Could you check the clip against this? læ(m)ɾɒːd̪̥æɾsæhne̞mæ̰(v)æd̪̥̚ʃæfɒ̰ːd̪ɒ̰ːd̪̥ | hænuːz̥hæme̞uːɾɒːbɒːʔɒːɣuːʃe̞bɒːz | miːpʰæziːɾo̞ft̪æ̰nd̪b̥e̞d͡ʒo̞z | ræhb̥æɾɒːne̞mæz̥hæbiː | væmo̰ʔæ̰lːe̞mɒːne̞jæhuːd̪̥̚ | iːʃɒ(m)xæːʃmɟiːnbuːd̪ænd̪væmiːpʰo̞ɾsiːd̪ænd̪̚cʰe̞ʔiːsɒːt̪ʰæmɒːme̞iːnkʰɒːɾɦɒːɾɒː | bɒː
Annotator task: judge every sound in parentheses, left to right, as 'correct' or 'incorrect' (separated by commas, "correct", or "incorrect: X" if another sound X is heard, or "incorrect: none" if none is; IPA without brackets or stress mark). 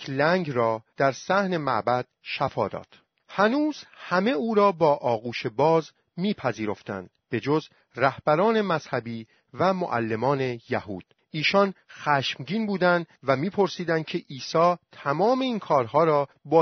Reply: incorrect: ŋ, incorrect: b, incorrect: n